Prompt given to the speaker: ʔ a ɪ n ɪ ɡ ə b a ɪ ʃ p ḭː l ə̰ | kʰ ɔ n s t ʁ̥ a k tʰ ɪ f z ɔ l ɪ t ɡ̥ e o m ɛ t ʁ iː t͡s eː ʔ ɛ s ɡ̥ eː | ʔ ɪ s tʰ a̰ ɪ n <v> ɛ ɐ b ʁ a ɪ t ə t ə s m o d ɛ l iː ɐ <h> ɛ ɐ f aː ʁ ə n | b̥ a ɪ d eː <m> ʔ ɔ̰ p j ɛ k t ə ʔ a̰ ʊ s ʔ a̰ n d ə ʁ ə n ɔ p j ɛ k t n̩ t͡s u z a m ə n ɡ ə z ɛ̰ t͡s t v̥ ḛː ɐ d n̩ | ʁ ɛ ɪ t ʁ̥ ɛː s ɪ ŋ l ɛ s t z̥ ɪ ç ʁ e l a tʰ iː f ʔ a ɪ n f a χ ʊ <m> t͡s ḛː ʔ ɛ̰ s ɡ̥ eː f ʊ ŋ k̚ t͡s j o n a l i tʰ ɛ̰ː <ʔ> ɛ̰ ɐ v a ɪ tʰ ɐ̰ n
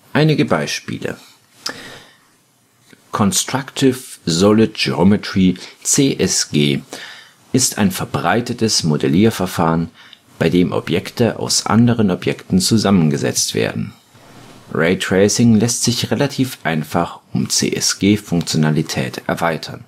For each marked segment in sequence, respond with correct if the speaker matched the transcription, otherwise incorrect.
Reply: incorrect: f, incorrect: f, correct, correct, incorrect: t

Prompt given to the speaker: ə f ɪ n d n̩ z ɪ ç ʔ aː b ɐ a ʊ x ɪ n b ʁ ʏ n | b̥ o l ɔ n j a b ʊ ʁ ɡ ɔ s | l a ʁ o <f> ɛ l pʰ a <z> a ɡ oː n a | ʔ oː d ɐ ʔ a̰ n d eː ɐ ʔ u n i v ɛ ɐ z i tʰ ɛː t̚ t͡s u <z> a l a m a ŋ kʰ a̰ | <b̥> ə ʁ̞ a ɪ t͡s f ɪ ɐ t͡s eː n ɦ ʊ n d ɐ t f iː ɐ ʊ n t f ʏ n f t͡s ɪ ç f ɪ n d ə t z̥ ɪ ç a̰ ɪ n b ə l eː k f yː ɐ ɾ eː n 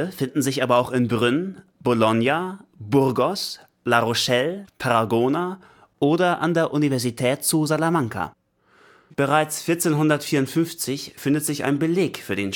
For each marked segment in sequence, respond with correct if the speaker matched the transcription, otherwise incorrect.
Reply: incorrect: ʃ, incorrect: ʁ, correct, correct

